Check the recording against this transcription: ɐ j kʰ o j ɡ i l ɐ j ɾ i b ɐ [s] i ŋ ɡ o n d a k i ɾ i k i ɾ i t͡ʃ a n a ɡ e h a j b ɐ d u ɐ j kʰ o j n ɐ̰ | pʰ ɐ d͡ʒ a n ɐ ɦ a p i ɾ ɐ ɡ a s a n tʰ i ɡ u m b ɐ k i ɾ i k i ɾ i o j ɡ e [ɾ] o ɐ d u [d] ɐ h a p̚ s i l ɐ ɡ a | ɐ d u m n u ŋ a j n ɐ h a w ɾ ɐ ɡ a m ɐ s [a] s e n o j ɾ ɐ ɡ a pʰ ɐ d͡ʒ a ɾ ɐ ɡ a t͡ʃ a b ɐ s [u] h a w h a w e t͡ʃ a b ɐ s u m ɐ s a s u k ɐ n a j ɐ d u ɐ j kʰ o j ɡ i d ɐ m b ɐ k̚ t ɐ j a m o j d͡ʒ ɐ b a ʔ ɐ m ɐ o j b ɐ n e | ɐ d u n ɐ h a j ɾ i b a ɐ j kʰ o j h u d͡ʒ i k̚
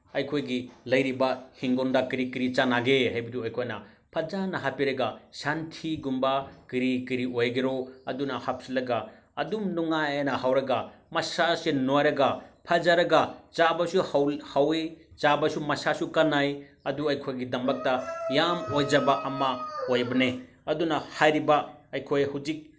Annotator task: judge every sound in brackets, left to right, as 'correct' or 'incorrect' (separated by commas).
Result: incorrect, correct, incorrect, correct, correct